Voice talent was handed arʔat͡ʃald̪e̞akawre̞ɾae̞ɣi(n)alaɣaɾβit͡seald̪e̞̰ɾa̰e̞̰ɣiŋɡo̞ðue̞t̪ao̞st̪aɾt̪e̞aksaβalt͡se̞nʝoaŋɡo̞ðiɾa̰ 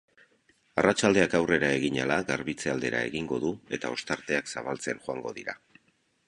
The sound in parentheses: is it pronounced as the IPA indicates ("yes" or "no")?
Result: no